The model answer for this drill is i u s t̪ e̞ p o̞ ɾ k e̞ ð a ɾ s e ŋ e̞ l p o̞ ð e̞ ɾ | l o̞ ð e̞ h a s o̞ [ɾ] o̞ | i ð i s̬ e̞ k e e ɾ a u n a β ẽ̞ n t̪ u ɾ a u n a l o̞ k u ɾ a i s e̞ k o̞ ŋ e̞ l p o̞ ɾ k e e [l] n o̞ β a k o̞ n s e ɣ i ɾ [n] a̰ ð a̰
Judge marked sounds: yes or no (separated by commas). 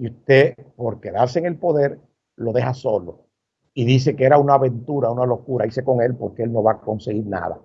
no, yes, yes